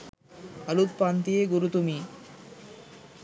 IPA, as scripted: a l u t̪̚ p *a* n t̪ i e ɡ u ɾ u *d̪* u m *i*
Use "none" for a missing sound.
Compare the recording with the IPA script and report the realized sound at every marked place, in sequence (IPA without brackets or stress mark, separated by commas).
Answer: a, t̪, i